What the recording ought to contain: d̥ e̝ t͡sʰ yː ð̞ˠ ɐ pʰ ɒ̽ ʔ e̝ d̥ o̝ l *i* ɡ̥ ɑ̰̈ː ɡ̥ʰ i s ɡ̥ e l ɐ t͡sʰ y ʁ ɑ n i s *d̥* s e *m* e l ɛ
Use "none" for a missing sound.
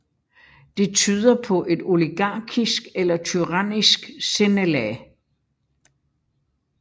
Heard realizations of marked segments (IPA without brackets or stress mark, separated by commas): i, ɡ̥, n